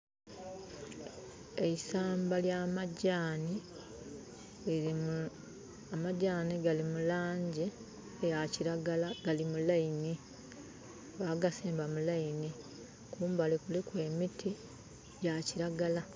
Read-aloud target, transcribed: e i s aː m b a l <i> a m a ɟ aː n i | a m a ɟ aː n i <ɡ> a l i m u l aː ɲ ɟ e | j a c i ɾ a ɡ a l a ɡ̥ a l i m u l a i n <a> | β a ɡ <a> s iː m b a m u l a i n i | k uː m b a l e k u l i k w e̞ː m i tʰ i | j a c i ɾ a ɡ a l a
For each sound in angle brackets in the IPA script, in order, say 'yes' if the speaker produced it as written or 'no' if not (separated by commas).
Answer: no, yes, no, yes